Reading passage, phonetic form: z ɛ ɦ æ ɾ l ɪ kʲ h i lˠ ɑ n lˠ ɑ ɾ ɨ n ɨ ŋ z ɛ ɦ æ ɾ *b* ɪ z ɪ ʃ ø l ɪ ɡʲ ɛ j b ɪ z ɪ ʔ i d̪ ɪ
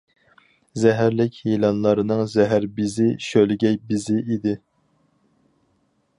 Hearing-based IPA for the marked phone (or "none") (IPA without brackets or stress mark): b